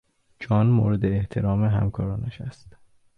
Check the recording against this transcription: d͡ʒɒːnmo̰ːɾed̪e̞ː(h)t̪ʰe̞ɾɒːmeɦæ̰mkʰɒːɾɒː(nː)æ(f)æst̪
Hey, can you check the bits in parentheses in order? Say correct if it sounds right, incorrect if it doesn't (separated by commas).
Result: correct, incorrect, incorrect